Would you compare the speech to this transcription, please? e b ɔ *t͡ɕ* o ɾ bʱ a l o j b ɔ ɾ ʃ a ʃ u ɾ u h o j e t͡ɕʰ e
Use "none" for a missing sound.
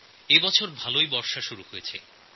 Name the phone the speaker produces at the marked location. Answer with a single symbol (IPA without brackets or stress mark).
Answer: t͡ɕʰ